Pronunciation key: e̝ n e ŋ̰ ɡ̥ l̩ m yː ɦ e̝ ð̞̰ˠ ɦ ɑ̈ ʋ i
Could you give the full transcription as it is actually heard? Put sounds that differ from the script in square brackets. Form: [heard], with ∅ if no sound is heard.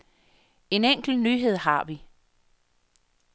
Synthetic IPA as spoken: e̝ n e ŋ̰ ɡ̥ l̩ [n] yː ɦ e̝ ð̞̰ˠ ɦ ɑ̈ ʋ i